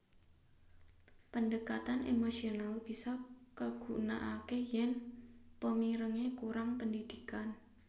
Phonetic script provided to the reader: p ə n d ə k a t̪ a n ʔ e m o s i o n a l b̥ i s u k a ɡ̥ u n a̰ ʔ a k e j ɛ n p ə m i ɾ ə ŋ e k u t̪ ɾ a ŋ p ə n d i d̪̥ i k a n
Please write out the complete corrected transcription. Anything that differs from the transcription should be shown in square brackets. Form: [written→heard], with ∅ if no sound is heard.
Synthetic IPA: p ə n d ə k a t̪ a n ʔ e m o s i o n a l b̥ i s [u→ɔ] k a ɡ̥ u n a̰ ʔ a k e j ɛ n p ə m i ɾ ə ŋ e k u [t̪→∅] ɾ a ŋ p ə n d i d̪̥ i k a n